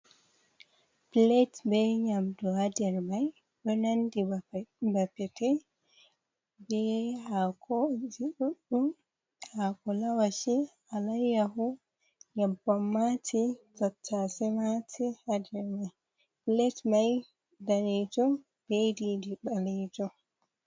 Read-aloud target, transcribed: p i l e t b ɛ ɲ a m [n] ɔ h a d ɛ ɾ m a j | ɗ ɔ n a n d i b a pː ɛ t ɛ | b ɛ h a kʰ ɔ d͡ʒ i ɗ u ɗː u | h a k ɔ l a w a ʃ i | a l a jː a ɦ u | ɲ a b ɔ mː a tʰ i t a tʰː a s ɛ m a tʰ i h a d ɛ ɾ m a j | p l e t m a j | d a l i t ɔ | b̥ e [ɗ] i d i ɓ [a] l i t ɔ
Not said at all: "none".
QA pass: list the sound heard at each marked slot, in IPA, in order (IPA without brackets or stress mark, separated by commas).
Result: d, d, a